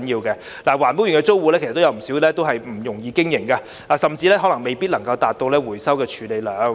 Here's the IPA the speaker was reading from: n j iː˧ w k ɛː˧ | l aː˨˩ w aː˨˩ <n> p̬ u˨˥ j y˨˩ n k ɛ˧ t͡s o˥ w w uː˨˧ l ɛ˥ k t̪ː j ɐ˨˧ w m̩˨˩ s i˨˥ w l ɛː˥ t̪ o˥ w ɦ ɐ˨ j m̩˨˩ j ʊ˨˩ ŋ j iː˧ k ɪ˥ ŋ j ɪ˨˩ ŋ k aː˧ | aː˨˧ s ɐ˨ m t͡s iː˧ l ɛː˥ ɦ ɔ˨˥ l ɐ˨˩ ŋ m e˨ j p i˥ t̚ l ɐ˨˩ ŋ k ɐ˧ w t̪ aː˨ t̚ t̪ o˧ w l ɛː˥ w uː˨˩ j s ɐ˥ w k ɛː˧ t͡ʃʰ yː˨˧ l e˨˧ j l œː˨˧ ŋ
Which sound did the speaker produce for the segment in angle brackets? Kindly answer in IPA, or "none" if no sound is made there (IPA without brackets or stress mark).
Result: n